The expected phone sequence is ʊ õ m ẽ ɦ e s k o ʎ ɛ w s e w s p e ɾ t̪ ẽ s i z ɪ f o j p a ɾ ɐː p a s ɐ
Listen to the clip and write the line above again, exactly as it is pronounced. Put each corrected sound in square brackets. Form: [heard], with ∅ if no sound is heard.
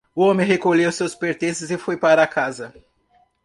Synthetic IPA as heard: ʊ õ m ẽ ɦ e [∅] k o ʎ [e] w s e w s p e ɾ t̪ ẽ s [ɪ] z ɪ f o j p a ɾ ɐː [k] a [z] ɐ